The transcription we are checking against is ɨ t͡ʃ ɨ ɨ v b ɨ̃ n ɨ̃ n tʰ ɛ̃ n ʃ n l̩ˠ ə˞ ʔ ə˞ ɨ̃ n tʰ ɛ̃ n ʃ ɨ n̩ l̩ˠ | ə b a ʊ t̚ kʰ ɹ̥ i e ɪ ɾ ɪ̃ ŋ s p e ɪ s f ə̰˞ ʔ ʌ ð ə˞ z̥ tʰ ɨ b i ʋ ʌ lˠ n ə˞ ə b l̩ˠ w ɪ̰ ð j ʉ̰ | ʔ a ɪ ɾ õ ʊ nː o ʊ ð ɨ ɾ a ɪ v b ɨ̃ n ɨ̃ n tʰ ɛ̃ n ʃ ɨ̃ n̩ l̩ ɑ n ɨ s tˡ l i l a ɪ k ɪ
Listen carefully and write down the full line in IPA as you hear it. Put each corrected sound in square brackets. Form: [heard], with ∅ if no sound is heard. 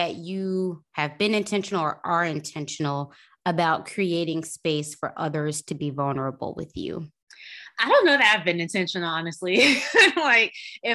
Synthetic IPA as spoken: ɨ t͡ʃ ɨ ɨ v b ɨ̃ n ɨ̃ n tʰ ɛ̃ n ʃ n l̩ˠ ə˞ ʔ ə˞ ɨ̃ n tʰ ɛ̃ n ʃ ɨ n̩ l̩ˠ | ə b a ʊ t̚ kʰ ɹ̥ i e ɪ ɾ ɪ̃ ŋ s p e ɪ s f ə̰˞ ʔ ʌ ð ə˞ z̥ tʰ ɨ b i [v] ʌ lˠ n ə˞ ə b l̩ˠ w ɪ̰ ð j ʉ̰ | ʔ a ɪ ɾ õ [ʊ̃] nː o ʊ ð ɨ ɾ a ɪ v b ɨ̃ n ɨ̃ n tʰ ɛ̃ n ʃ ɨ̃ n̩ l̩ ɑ n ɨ s tˡ l i l a ɪ k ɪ